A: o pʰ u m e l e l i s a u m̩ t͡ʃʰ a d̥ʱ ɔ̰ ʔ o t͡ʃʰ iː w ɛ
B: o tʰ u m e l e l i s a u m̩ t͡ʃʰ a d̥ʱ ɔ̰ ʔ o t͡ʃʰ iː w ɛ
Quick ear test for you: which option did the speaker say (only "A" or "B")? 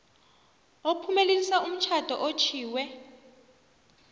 A